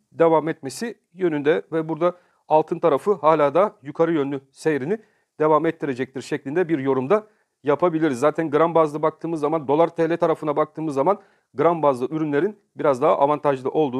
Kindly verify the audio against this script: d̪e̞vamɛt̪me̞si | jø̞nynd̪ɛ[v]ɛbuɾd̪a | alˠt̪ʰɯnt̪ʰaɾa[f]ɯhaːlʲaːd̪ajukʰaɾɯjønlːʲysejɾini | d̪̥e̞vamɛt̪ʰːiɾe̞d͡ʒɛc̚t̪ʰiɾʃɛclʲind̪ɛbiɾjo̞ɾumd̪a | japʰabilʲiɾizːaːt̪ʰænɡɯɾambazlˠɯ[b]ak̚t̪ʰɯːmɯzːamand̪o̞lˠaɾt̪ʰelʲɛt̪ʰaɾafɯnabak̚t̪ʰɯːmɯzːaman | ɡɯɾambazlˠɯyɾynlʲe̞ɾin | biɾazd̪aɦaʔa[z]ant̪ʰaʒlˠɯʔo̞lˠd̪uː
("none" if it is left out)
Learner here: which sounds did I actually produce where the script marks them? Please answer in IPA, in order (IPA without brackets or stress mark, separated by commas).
v, f, b, v